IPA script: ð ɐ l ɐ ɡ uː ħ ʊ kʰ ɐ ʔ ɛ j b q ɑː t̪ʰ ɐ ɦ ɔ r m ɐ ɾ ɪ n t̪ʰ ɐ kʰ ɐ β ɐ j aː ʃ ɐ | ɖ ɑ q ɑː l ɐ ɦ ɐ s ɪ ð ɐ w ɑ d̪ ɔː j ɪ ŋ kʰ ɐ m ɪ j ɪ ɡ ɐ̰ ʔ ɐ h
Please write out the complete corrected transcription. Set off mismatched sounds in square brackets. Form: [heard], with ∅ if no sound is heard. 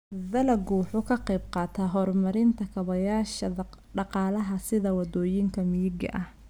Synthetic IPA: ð ɐ l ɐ ɡ uː ħ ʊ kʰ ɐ [q] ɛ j b q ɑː t̪ʰ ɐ ɦ ɔ r m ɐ ɾ ɪ n t̪ʰ ɐ kʰ ɐ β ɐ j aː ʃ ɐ | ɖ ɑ q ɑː l ɐ ɦ ɐ s ɪ ð ɐ w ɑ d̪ ɔː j ɪ ŋ kʰ ɐ m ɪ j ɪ ɡ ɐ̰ ʔ ɐ h